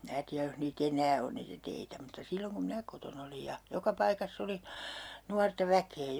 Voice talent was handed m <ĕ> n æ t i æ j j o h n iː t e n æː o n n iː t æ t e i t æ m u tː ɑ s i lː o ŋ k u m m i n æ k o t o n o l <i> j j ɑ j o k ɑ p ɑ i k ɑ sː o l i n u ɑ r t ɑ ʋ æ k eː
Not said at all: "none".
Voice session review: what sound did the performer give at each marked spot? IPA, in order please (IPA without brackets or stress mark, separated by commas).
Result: ĭ, i